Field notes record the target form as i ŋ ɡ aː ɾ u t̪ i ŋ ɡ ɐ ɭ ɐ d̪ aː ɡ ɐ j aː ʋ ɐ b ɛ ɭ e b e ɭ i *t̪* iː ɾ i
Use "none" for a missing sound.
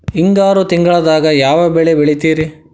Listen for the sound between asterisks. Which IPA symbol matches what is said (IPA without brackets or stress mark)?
t̪